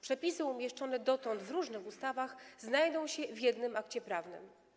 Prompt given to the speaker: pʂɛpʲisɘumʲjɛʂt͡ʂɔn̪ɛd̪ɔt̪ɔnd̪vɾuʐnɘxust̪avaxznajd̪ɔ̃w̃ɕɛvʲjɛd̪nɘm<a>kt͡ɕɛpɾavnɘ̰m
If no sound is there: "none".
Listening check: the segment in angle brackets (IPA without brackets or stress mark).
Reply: a